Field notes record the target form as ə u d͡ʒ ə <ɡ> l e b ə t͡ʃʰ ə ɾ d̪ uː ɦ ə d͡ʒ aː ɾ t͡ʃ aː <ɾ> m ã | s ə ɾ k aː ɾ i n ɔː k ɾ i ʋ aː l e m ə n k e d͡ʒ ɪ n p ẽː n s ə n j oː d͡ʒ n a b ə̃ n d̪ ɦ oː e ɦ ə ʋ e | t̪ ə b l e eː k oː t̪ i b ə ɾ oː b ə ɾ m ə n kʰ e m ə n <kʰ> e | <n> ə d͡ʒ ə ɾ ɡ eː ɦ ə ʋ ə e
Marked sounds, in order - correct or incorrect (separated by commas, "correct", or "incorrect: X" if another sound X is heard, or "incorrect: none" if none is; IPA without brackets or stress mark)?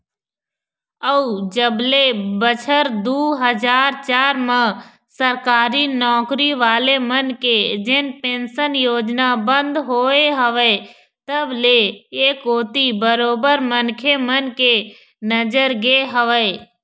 incorrect: b, correct, incorrect: k, correct